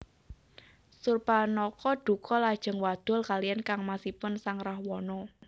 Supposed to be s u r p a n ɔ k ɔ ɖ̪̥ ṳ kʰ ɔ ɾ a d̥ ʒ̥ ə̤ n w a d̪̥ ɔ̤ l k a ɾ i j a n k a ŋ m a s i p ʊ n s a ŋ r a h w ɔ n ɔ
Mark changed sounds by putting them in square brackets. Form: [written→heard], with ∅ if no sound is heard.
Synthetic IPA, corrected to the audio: s u r p a n ɔ k ɔ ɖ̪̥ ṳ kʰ ɔ [ɾ→l] a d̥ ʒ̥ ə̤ [n→ŋ] w a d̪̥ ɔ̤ l k a [ɾ→l] i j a n k a ŋ m a s i p ʊ n s a ŋ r a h w ɔ n ɔ